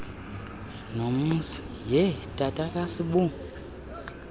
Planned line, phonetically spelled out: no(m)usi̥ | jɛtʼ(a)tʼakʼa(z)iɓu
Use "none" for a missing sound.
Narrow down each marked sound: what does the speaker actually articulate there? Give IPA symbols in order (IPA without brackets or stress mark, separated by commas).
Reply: m, a, s